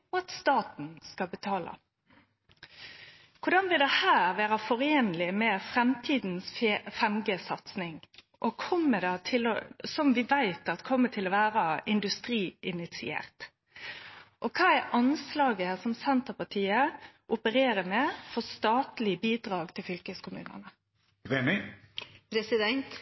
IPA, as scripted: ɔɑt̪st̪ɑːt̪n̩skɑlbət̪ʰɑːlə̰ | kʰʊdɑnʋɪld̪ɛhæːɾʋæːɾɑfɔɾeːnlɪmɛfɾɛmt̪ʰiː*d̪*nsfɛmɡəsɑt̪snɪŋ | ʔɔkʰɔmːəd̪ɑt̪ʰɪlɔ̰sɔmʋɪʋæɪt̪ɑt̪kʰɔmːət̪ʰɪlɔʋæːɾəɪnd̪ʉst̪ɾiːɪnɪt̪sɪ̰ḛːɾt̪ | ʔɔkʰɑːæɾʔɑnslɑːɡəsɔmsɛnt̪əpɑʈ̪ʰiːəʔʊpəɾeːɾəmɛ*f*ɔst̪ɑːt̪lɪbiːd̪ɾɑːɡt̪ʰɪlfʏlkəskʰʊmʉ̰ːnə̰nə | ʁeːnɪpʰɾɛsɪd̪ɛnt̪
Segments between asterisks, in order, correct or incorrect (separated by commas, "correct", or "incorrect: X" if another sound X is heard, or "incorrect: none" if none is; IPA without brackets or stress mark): correct, correct